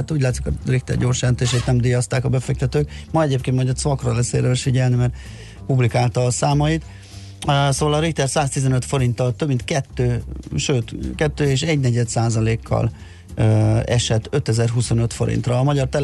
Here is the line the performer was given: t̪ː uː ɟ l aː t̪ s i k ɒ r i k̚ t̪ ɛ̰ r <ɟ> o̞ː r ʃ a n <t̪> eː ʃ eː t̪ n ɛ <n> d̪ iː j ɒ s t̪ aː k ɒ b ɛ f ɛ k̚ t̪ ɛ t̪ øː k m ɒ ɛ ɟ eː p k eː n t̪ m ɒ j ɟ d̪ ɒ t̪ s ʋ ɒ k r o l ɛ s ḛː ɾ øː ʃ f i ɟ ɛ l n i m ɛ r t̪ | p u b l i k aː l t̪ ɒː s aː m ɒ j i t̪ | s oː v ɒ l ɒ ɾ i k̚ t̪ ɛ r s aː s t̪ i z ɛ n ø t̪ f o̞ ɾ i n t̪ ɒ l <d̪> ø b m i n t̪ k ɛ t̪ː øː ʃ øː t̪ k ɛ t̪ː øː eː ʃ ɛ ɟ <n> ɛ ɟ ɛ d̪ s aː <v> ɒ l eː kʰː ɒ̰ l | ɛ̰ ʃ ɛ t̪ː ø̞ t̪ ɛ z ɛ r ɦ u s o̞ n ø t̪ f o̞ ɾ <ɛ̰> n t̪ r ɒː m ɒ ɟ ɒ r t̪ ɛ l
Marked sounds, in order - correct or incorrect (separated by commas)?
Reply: correct, correct, incorrect, incorrect, correct, incorrect, incorrect